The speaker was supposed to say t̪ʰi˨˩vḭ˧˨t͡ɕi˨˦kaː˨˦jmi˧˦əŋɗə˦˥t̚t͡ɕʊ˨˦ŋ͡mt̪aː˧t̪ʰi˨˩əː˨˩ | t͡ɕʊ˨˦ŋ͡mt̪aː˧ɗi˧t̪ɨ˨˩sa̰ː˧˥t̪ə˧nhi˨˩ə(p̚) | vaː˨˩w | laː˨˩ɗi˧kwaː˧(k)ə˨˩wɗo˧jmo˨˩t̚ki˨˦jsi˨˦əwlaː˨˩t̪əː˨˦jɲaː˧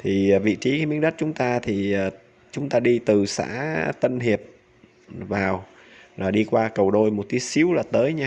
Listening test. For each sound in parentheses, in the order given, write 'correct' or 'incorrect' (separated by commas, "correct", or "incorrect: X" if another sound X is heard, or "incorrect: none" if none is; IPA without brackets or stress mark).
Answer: correct, correct